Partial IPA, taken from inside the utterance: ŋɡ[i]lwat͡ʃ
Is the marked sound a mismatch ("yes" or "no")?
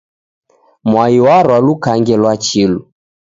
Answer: yes